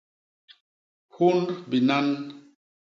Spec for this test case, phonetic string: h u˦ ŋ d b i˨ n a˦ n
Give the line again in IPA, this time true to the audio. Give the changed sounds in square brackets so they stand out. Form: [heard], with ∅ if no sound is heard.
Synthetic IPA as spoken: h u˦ [n] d b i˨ n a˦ n

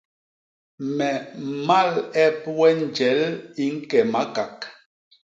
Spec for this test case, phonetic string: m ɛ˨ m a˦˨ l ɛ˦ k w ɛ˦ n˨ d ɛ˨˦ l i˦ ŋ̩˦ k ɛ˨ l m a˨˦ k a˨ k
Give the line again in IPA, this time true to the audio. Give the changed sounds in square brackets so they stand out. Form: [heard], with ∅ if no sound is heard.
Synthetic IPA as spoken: m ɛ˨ m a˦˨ l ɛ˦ [p] w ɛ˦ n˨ [d͡ʒ] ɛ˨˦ l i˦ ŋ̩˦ k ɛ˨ [∅] m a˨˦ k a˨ k

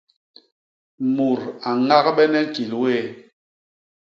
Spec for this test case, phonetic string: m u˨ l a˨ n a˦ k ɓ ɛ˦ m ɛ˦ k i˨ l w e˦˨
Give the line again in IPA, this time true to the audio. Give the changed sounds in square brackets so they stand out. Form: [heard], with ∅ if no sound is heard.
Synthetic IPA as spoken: m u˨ [ɾ] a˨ [ŋ] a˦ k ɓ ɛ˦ [n] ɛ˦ k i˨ l w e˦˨

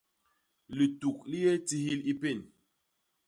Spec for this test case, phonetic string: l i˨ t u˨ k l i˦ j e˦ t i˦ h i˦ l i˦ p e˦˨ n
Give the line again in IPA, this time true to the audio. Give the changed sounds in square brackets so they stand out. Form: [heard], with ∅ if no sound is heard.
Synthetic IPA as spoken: l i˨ t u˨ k l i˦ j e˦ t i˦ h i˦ l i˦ p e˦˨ n

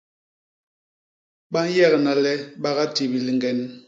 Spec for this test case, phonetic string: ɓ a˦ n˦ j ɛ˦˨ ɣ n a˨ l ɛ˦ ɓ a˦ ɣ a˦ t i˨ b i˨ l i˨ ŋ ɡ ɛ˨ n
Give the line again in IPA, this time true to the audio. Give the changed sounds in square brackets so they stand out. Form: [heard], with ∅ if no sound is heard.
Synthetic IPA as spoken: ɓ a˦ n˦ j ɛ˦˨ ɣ n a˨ l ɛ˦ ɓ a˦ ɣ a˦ t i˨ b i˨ l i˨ ŋ ɡ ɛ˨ n

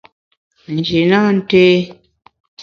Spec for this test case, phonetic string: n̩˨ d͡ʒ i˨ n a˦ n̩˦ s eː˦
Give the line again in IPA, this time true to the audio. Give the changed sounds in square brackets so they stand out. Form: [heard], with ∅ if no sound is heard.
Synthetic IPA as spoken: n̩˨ d͡ʒ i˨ n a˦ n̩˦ [t] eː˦

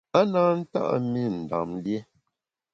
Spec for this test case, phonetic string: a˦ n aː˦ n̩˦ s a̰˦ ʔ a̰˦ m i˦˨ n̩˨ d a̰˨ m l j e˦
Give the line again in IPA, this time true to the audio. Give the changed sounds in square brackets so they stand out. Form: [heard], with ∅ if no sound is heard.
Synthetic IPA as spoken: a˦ n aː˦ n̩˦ [t] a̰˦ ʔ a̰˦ m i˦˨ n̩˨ d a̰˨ m l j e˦

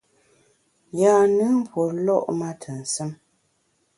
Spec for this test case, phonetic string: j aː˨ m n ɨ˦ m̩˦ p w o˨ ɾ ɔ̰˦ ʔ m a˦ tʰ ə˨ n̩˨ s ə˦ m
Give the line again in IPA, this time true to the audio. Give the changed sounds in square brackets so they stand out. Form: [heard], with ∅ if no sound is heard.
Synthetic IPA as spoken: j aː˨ [∅] n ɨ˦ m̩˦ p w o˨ [l] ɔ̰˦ ʔ m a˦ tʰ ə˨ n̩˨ s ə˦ m

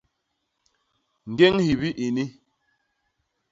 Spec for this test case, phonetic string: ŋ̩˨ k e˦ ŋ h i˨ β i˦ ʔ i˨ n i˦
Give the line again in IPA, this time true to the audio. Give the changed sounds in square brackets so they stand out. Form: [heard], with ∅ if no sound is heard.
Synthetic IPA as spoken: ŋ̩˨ [ɡ] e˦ ŋ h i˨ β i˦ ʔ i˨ n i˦

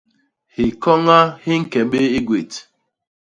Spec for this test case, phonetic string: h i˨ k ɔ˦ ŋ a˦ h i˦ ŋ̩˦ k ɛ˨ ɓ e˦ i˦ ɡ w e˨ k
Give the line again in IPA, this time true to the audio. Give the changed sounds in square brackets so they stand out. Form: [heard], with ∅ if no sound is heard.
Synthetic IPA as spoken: h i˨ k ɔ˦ ŋ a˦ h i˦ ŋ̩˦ k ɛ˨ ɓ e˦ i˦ ɡ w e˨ [t]

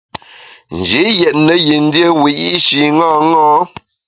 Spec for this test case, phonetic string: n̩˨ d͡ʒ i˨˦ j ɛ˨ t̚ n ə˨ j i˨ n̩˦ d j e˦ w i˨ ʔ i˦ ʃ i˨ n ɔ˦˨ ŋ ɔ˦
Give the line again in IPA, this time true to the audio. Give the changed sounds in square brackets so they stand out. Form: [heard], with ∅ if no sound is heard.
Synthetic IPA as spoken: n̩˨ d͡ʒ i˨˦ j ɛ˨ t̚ n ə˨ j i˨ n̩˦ d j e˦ w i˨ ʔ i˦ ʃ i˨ [ŋ] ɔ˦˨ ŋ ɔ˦

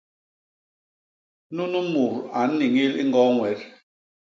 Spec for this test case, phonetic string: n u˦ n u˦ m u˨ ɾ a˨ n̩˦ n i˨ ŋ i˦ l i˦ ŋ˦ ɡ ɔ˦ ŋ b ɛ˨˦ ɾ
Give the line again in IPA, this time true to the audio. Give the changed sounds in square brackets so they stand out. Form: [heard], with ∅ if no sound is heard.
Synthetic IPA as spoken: n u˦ n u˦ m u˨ ɾ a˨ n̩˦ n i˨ ŋ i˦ l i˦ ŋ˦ ɡ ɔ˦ ŋ [w] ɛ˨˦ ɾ

